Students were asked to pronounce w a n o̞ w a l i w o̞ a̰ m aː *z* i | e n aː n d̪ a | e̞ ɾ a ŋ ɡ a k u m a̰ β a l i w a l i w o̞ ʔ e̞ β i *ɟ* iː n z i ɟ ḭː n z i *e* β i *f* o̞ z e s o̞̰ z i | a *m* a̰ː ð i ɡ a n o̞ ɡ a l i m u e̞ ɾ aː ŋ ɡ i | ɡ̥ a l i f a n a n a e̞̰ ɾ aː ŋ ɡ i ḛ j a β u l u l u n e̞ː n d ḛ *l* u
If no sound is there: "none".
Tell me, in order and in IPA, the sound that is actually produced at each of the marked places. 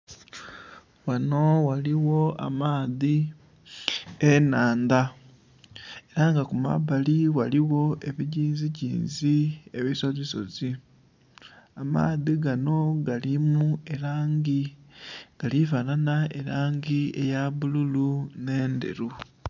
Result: ð, ɟ, e, s, m, ɾ

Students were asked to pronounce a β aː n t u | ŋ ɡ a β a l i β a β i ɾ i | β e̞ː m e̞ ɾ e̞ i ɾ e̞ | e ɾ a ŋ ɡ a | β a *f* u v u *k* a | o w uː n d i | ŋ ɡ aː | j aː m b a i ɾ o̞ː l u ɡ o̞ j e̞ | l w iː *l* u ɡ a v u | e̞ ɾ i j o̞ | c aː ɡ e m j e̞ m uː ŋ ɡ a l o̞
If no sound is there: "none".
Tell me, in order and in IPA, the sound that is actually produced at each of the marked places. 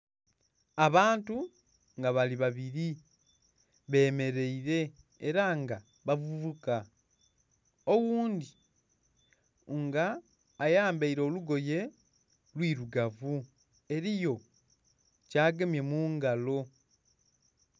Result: v, k, ɾ

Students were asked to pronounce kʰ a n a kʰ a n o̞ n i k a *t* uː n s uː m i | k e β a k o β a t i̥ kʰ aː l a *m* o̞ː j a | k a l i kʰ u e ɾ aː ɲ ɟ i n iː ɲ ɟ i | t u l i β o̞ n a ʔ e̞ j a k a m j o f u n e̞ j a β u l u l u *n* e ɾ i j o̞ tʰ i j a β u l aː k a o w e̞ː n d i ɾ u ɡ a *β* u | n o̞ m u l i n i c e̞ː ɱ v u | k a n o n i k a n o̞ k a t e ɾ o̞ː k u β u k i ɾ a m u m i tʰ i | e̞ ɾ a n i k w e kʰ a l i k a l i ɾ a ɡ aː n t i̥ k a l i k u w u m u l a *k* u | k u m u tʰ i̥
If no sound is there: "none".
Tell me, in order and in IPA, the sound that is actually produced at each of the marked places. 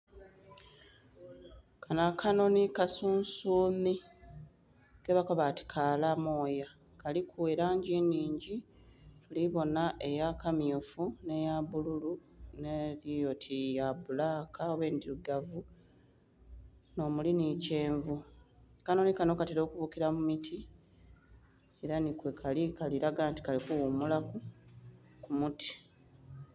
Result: s, m, n, v, k

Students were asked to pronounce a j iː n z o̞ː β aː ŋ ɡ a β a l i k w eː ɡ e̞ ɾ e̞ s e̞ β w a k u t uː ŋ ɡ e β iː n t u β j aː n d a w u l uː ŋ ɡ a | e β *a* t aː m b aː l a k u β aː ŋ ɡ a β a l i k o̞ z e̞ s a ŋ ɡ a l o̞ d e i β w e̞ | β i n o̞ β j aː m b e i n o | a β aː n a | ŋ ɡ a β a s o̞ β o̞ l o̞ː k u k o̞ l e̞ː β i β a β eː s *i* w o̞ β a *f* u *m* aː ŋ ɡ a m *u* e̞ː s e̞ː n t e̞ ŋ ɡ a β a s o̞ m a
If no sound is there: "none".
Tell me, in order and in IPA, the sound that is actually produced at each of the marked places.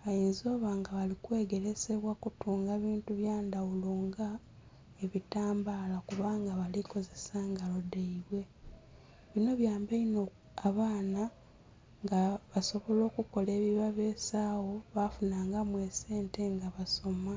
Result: i, a, f, n, w

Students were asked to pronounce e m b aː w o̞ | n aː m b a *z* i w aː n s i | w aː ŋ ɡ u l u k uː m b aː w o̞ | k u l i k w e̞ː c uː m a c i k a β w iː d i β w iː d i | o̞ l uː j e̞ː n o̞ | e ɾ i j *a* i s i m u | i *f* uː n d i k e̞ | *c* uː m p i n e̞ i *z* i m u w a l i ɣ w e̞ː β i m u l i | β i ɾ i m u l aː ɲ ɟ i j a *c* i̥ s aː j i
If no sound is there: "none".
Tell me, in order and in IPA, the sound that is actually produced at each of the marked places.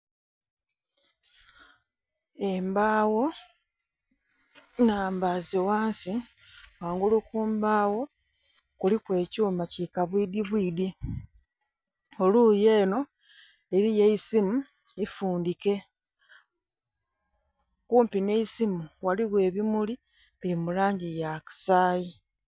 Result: z, e, f, k, s, k

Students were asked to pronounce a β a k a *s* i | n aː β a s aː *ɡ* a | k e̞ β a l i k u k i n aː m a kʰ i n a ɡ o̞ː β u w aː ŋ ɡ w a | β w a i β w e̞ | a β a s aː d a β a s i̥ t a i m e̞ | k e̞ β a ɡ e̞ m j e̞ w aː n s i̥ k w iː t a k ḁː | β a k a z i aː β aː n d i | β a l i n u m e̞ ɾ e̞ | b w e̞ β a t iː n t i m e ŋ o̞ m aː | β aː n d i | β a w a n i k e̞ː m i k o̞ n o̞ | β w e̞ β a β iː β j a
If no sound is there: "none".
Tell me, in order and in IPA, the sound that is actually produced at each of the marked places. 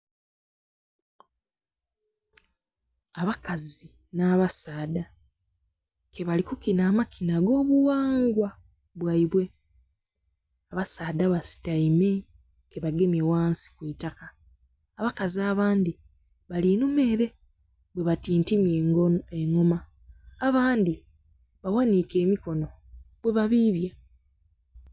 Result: z, d

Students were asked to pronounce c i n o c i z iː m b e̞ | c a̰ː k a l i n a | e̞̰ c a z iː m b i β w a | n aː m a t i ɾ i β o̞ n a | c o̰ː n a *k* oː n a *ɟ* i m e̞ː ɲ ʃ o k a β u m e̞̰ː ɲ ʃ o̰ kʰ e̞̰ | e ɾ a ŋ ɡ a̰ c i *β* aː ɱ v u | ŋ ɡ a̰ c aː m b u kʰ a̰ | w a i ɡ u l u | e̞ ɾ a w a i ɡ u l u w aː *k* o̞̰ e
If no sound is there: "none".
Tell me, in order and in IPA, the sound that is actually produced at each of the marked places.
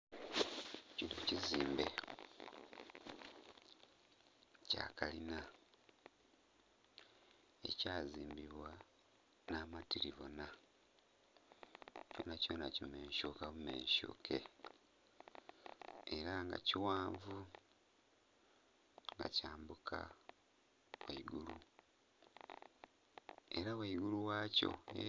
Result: c, c, w, c

